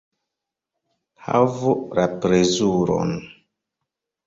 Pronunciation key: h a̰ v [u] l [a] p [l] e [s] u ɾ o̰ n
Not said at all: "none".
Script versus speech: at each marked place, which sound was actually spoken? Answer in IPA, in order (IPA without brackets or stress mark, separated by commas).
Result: u, a, ɾ, z